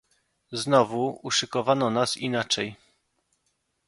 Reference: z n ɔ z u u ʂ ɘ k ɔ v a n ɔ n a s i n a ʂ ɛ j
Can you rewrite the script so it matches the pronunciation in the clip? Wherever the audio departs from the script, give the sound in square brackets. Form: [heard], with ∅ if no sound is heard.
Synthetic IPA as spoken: z n ɔ [v] u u ʂ ɘ k ɔ v a n ɔ n a s i n a [t͡ʂ] ɛ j